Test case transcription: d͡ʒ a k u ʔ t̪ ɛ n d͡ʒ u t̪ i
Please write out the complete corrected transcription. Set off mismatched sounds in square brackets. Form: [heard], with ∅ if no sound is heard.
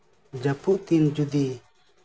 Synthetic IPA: d͡ʒ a [p] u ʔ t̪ [i] n d͡ʒ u [d̪] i